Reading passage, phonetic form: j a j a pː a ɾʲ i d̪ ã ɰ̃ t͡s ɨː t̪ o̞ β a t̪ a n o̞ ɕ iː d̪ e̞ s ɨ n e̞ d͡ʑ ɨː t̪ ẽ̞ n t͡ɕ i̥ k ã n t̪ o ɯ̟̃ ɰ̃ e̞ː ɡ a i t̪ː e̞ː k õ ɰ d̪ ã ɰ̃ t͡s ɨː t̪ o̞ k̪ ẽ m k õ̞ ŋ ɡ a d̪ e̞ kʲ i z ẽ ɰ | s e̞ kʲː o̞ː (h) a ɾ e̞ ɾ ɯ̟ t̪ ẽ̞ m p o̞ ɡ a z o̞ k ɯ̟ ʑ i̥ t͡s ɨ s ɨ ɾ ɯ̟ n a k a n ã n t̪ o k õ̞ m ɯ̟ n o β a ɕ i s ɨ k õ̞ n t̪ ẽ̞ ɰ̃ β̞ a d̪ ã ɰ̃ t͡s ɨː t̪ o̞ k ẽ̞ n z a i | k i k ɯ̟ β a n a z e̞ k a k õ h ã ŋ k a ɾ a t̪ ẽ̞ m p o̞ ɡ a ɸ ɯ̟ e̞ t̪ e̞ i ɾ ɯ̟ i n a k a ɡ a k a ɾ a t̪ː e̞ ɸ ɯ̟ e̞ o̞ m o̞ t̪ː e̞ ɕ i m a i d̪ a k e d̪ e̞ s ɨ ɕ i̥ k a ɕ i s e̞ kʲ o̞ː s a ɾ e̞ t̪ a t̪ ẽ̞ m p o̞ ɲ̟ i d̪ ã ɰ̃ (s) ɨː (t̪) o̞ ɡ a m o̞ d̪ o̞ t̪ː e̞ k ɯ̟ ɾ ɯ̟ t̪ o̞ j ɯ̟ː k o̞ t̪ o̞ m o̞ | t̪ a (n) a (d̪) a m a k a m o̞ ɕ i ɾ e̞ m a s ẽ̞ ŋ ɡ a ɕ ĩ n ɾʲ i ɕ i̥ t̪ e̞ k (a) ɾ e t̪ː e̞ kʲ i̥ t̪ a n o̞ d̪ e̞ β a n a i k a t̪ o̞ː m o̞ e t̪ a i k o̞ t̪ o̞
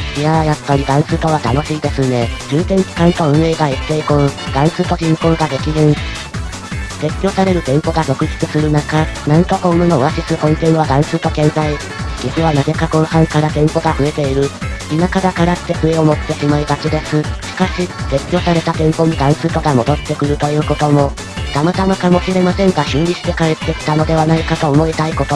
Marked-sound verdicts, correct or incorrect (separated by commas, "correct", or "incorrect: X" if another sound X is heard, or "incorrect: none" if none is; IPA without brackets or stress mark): incorrect: s, correct, correct, incorrect: m, incorrect: t̪, correct